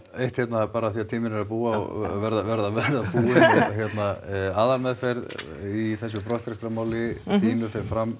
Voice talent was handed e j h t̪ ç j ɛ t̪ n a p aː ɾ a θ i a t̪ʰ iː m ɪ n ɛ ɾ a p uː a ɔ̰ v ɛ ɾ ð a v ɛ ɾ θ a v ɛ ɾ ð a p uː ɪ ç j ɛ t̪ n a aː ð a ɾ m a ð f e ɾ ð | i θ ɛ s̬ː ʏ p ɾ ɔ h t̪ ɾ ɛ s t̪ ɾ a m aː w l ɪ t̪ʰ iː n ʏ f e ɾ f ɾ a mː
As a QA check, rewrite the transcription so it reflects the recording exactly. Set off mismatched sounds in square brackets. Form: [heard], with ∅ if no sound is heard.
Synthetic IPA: e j h t̪ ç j ɛ t̪ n a p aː ɾ a θ i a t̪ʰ iː m ɪ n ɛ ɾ a p uː a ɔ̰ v ɛ ɾ ð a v ɛ ɾ [ð] a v ɛ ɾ ð a p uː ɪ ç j ɛ t̪ n a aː ð a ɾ m [ɛ] ð f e ɾ ð | i θ ɛ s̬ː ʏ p ɾ ɔ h t̪ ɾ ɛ s t̪ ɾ a m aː w l ɪ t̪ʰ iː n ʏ f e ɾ f ɾ a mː